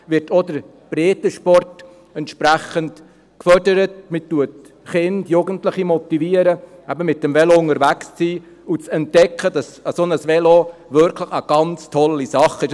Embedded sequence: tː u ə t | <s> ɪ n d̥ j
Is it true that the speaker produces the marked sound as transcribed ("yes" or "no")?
no